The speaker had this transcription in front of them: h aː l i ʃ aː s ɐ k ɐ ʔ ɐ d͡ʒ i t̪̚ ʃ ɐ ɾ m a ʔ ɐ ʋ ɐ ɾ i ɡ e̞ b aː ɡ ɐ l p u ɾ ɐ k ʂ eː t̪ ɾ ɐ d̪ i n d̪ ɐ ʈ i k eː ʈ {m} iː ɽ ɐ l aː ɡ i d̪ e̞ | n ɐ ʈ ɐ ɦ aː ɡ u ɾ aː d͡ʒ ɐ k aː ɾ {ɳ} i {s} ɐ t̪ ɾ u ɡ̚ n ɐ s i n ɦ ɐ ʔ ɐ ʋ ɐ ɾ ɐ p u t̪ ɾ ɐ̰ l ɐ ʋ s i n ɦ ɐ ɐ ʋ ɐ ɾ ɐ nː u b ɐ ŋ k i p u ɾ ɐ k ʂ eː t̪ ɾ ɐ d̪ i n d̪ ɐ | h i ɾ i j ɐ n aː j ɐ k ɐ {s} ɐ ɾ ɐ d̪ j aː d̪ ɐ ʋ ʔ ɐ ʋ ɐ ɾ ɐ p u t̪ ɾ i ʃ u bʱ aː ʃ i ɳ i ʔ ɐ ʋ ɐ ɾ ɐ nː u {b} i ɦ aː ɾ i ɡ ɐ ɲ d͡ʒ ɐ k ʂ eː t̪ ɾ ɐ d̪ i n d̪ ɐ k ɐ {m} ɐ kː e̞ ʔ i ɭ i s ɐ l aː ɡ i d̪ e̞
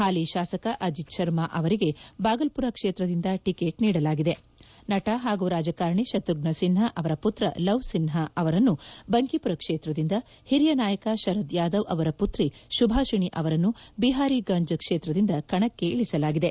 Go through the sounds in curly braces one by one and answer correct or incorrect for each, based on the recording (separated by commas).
incorrect, correct, incorrect, incorrect, correct, incorrect